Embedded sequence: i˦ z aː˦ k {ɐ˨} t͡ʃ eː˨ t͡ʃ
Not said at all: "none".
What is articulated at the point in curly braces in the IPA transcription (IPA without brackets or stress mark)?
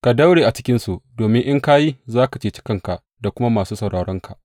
a˨